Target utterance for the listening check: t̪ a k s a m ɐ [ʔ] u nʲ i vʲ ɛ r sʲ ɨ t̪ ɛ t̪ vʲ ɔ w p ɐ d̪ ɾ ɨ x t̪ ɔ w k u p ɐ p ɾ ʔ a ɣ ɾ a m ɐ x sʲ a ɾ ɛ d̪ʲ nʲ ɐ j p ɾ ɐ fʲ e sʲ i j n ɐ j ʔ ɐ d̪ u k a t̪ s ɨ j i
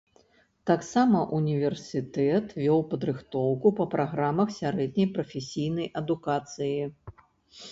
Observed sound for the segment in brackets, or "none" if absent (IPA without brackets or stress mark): ʔ